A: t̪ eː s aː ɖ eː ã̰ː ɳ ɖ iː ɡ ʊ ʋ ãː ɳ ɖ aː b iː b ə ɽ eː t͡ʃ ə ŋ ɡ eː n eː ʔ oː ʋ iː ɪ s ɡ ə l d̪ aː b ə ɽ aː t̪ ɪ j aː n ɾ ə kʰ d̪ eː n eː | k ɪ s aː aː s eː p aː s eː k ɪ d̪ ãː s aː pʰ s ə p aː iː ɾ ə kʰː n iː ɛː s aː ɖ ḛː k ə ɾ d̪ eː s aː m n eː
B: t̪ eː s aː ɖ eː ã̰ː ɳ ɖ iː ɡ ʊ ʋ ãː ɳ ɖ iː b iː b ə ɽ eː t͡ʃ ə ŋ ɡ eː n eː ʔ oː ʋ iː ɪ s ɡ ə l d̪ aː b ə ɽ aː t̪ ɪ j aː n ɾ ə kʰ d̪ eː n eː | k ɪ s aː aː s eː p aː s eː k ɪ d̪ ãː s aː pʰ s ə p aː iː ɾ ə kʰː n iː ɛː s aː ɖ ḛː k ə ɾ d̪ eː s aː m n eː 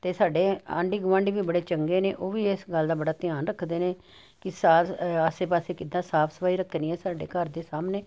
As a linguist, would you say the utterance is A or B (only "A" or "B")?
B